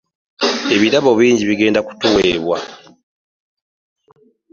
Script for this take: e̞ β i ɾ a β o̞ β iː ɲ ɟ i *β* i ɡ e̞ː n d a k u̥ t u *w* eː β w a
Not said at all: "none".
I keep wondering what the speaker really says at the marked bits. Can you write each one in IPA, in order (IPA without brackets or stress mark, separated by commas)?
β, w